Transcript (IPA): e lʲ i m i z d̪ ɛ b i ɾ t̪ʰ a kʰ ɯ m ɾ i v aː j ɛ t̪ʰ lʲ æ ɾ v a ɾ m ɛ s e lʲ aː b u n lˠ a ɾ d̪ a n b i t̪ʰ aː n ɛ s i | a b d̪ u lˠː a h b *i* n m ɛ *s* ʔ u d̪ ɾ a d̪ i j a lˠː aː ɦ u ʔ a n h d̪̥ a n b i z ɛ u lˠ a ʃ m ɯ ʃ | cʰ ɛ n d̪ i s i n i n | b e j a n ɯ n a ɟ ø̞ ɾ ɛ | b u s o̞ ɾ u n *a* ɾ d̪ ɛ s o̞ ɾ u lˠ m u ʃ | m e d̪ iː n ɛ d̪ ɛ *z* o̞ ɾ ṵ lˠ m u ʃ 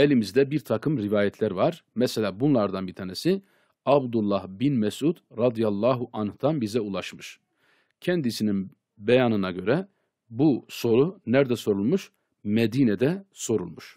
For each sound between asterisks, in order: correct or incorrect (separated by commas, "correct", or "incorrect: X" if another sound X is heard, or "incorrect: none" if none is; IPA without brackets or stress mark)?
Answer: correct, correct, incorrect: æ, incorrect: s